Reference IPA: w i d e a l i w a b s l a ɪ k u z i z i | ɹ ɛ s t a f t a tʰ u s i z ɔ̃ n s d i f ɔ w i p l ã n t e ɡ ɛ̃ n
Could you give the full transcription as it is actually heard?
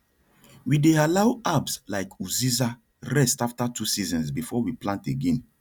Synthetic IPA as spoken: w i d e a l a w a b s l a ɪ k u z i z a | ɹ ɛ s t a f t a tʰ u s i z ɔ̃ n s b i f ɔ w i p l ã n t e ɡ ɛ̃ n